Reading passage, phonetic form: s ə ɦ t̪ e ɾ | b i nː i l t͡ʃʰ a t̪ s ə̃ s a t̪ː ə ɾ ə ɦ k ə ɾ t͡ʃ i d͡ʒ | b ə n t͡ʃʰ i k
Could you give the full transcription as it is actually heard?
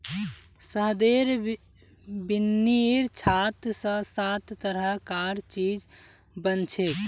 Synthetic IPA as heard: s ə ɦ d̪ e ɾ | b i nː i ɾ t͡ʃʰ a t̪ s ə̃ s a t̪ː ə ɾ ə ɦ k a ɾ t͡ʃ i d͡ʒ | b ə n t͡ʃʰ e k